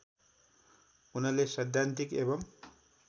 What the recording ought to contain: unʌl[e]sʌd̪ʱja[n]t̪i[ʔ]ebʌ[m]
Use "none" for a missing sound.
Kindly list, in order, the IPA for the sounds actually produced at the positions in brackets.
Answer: e, n, k, m

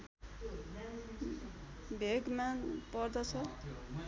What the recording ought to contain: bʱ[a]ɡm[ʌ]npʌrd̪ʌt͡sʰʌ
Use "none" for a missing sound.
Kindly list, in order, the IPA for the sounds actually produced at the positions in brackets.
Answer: e, a

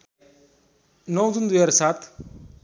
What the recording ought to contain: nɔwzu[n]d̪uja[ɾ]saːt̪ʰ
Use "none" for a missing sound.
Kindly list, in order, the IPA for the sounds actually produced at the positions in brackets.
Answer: n, ɾ

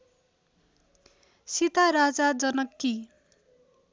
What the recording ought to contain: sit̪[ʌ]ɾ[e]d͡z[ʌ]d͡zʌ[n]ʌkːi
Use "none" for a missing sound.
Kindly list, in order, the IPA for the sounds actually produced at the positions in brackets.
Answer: a, a, a, n

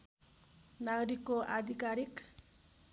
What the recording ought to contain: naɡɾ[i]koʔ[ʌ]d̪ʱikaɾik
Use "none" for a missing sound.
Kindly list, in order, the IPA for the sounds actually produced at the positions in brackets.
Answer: i, a

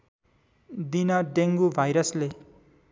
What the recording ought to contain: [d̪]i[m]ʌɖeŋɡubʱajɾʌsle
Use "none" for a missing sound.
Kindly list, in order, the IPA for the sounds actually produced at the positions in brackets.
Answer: d̪, n

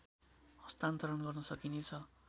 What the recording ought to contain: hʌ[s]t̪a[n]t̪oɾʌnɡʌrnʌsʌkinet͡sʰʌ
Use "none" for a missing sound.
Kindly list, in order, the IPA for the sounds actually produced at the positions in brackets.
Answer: s, n

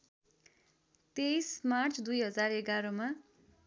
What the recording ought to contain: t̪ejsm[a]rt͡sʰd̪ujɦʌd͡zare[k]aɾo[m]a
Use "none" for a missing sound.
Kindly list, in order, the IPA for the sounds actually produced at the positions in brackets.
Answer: a, ɡ, m

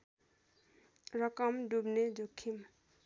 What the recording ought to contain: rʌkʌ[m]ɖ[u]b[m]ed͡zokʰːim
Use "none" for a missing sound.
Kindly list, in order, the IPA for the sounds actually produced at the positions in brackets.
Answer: m, u, n

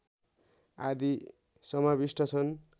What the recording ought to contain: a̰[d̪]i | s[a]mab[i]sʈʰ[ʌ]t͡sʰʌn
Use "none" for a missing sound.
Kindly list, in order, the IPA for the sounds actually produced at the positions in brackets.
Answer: d̪, ʌ, i, ʌ

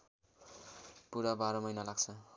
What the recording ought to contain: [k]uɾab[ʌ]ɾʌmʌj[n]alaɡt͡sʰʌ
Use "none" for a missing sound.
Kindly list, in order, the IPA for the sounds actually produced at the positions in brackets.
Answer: p, a, n

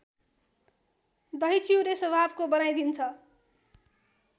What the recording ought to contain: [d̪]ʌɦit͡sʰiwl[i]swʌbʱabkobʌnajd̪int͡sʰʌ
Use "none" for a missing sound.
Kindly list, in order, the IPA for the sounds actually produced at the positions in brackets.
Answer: d̪, e

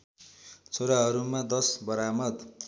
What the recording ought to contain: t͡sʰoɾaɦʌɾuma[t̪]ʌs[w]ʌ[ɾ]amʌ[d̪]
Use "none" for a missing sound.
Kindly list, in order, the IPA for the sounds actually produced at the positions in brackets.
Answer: d̪, b, ɾ, d̪

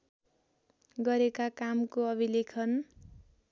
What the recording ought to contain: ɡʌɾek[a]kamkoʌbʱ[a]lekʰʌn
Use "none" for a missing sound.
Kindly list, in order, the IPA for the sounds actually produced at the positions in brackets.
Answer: a, i

